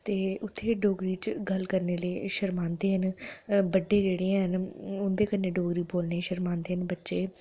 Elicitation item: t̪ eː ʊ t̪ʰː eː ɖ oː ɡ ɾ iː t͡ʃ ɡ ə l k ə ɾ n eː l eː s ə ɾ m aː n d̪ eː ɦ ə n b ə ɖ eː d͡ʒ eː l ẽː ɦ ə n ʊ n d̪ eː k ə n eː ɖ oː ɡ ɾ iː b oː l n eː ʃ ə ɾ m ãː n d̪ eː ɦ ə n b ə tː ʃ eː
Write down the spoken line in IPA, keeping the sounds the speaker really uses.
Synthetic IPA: t̪ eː ʊ t̪ʰː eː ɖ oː ɡ ɾ iː t͡ʃ ɡ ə l k ə ɾ n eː l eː ʃ ə ɾ m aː n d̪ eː ɦ ə n b ə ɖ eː d͡ʒ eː ɽ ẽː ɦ ə n ʊ n d̪ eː k ə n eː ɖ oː ɡ ɾ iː b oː l n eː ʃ ə ɾ m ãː n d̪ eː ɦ ə n b ə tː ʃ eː